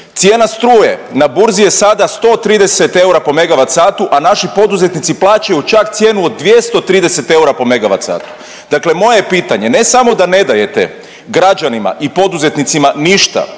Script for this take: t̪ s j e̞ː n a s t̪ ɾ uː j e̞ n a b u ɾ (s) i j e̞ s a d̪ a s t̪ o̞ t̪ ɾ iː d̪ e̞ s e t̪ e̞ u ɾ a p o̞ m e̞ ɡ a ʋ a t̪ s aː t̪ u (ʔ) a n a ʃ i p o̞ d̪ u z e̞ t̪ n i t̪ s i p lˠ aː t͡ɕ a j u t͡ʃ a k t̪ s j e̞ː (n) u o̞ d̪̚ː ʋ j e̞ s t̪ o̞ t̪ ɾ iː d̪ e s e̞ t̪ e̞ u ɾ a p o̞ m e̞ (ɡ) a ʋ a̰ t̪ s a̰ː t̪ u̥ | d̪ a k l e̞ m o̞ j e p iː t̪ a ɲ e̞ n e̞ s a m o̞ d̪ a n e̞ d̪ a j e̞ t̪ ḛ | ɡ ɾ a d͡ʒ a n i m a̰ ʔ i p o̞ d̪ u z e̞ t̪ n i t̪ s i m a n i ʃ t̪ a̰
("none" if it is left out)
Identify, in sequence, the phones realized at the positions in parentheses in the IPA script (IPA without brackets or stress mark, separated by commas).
z, ʔ, n, ɡ